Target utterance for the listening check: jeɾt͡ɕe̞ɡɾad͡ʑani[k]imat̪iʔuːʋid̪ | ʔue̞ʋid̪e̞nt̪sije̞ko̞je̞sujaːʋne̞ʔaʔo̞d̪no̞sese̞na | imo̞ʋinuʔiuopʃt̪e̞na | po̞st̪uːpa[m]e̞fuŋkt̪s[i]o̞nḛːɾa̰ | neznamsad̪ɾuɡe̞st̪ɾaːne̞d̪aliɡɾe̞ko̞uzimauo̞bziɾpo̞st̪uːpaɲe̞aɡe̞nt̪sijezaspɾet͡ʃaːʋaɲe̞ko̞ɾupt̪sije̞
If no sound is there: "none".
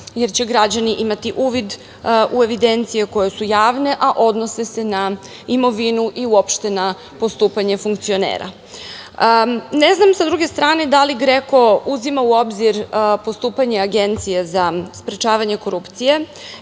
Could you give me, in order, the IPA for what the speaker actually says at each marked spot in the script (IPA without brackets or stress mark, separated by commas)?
ʔ, ɲ, i